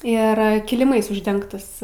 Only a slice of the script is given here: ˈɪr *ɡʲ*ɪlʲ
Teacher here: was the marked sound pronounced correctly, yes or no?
no